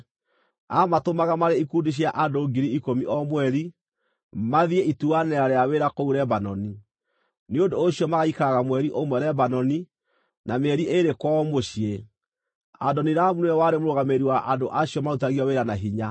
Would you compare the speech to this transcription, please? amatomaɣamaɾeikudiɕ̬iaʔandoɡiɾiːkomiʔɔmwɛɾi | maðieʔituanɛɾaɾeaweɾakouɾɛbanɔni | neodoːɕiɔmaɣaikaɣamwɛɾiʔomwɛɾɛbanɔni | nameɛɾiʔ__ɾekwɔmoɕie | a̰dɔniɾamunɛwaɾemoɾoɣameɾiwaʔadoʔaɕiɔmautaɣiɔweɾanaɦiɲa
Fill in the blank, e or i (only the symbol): e